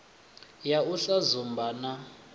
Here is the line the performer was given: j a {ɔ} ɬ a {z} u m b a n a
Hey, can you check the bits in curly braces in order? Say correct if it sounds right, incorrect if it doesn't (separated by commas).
incorrect, correct